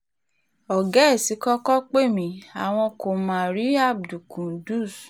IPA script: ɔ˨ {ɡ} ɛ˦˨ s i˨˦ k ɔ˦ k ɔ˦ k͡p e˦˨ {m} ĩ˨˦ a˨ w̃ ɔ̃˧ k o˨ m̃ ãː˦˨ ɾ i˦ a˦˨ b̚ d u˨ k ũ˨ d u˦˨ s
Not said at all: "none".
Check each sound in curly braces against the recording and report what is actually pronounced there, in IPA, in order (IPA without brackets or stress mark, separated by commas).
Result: ɡ, m